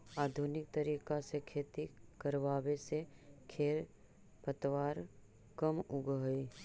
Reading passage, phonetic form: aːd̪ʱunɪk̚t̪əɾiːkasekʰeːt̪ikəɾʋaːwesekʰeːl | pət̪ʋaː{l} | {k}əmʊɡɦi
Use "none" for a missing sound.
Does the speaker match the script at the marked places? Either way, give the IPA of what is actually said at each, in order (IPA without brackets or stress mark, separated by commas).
ɾ, k